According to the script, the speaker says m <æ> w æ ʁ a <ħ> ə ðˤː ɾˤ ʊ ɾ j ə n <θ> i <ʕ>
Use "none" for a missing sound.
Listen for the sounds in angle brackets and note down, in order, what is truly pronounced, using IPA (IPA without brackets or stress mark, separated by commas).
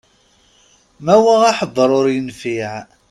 æ, ħ, f, ʕ